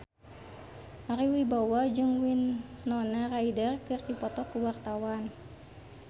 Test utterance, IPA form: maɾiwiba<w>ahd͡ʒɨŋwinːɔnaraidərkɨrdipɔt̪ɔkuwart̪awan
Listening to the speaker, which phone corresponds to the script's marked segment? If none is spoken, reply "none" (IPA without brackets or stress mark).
w